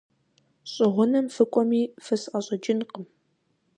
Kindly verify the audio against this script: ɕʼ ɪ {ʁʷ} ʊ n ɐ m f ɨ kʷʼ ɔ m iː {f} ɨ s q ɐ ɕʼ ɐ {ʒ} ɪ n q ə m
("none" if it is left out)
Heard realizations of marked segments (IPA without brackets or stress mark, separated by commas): ʁʷ, f, d͡ʒ